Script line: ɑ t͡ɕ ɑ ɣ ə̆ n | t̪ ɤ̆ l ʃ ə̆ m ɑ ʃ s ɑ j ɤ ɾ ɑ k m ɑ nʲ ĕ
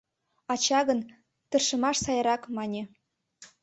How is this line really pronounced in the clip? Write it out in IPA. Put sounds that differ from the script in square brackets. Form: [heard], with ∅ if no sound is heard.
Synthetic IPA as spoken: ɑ t͡ɕ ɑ ɣ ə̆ n | t̪ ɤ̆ [r] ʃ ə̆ m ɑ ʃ s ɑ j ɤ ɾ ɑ k m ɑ nʲ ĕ